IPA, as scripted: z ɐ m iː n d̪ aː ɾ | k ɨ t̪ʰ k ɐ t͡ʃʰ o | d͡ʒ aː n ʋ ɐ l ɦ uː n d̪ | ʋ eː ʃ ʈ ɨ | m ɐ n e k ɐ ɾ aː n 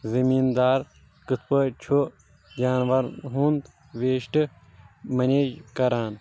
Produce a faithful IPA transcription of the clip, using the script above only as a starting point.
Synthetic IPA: z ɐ m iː n d̪ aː ɾ | k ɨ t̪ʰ p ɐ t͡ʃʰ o | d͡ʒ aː n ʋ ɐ ɾ ɦ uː n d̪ | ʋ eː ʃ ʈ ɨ | m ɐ n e k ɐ ɾ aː n